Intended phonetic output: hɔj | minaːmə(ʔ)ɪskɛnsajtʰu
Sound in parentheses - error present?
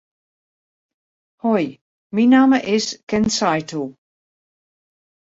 no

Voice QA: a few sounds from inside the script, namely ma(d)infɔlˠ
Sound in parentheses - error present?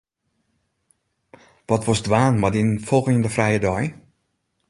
no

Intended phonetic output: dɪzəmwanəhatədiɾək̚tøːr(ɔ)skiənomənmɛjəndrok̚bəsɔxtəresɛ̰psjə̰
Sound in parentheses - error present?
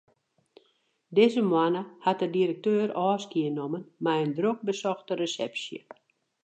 yes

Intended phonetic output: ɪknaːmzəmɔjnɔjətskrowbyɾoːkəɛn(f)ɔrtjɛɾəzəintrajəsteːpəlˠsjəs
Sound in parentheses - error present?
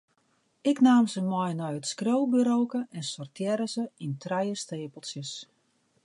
yes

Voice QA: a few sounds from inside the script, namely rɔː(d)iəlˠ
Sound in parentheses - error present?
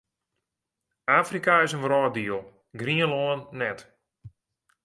no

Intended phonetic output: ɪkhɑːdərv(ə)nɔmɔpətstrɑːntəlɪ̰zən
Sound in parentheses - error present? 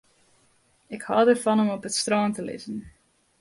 yes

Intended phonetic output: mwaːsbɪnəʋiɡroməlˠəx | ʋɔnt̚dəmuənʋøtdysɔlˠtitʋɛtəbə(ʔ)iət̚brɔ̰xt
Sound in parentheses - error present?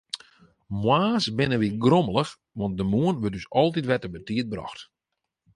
yes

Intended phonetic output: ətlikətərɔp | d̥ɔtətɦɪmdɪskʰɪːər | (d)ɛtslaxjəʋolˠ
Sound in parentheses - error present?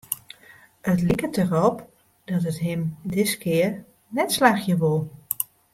yes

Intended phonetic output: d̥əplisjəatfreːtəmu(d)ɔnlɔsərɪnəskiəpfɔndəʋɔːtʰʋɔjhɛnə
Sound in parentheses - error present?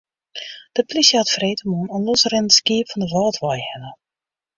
yes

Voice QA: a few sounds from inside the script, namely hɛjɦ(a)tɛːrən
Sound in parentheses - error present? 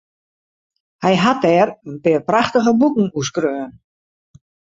no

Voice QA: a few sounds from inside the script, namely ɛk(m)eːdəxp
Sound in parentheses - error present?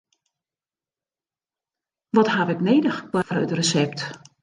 yes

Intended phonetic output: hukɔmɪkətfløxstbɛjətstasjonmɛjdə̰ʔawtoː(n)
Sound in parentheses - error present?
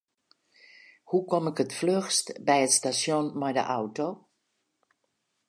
yes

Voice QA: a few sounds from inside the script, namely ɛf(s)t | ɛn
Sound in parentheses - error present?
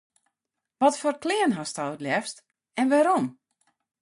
no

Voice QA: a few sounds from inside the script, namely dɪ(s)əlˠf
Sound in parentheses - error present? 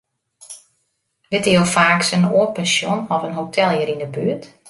yes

